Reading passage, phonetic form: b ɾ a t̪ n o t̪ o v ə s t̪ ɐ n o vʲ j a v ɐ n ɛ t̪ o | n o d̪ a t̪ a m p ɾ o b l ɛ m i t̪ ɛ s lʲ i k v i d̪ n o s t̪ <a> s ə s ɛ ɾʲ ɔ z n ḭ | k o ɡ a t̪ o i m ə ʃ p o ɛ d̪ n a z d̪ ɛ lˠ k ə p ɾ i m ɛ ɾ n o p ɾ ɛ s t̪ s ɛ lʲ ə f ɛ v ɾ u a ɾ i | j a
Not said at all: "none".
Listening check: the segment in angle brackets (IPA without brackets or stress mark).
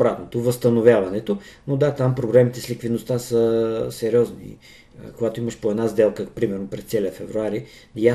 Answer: a